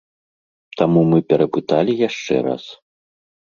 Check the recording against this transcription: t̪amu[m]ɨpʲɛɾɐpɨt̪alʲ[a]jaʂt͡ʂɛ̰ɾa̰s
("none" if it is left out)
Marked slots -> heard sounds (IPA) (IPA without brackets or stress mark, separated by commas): m, i